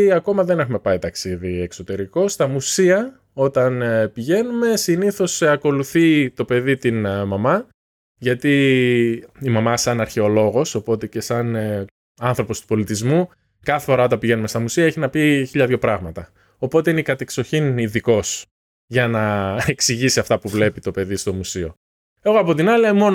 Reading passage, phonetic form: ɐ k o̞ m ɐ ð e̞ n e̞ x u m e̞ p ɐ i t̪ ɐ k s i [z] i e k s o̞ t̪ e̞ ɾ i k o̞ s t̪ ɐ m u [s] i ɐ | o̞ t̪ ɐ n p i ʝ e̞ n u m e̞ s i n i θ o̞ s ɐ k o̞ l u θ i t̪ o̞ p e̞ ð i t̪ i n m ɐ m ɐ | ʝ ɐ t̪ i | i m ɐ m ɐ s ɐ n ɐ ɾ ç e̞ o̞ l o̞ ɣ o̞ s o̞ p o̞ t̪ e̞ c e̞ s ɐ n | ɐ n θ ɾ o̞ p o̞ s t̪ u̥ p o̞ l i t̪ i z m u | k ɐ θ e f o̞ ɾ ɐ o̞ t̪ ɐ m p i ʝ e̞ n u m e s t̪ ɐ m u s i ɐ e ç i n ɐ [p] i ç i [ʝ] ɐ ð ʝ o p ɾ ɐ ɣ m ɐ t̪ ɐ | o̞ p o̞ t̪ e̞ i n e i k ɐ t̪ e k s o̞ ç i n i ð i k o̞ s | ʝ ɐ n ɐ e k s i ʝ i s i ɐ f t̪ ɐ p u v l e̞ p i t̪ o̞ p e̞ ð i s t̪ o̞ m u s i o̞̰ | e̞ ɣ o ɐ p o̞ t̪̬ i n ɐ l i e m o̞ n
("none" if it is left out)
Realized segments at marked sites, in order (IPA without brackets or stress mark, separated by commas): ð, s, p, ʎ